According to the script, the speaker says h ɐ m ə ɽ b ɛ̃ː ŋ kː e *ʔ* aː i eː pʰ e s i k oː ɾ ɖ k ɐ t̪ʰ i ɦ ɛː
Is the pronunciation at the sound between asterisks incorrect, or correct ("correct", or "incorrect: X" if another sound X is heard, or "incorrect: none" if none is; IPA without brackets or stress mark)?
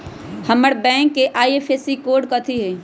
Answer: correct